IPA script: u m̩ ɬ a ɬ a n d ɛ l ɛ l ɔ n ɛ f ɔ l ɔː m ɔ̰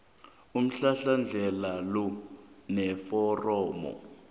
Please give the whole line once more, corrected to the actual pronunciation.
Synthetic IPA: u m̩ ɬ a ɬ a n d͡ɮʱ ɛ l a l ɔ n ɛ f ɔ r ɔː m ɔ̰